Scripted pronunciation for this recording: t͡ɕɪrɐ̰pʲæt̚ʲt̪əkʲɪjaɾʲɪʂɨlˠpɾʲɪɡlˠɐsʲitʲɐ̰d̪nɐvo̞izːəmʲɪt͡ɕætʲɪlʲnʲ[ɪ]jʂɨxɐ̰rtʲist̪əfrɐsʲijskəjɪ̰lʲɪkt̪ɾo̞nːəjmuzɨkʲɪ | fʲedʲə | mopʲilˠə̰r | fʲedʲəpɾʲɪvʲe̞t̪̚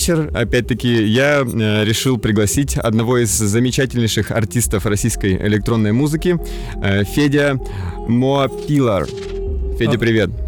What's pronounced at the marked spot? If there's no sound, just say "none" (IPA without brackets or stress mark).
ɪ